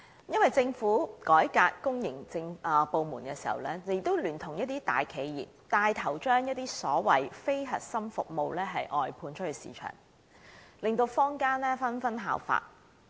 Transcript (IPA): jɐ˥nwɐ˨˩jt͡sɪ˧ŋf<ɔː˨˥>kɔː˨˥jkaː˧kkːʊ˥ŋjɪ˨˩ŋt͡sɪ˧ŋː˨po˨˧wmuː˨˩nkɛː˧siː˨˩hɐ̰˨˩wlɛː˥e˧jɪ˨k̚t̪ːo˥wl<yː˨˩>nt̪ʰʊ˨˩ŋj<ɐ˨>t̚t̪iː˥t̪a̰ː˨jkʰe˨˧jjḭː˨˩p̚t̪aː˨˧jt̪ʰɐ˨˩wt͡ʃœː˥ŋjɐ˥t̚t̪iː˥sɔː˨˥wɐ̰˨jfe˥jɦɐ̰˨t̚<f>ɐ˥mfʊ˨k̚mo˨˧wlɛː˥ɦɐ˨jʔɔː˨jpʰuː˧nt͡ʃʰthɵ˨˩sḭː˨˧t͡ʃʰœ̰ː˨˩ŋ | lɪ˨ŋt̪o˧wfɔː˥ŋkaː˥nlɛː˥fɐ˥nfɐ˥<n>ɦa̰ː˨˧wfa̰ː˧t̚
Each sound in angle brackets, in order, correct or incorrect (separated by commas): incorrect, correct, incorrect, incorrect, correct